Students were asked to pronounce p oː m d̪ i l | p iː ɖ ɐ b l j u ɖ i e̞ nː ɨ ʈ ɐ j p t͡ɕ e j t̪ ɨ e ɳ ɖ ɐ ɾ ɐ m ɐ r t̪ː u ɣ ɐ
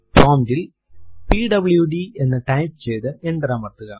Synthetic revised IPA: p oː m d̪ i l | p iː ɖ ɐ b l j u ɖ i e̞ nː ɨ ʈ ɐ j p t͡ɕ e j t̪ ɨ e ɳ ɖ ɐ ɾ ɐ m ɐ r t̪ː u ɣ ɐ